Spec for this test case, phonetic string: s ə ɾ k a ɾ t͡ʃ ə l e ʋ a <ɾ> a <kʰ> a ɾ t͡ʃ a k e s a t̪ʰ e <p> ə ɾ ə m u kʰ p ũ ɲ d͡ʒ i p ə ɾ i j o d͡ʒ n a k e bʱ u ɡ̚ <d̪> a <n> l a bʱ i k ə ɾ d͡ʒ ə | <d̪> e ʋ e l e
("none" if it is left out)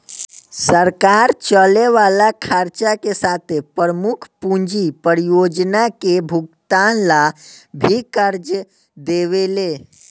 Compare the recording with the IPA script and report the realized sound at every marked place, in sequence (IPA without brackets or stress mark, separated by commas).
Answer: l, kʰ, p, t̪, n, d̪